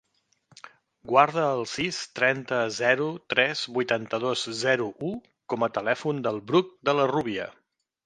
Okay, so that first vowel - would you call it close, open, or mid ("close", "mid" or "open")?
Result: open